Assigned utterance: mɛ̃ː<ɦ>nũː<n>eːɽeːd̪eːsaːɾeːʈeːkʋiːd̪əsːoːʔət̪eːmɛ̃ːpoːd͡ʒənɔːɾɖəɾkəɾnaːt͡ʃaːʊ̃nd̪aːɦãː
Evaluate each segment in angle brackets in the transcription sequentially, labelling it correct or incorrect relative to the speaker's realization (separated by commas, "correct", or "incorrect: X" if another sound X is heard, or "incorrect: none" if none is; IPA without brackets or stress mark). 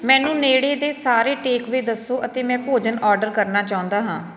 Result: incorrect: none, correct